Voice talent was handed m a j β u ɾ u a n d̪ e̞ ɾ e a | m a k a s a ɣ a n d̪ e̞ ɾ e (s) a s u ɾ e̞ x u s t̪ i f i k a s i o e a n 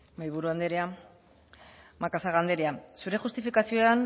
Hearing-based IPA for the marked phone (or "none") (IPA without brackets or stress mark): none